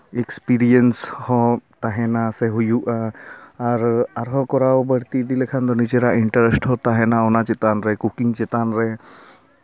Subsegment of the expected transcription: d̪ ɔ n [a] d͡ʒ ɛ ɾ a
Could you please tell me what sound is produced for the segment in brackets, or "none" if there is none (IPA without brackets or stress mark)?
i